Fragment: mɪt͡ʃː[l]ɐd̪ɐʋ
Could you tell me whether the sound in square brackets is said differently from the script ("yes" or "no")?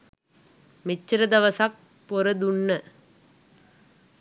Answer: yes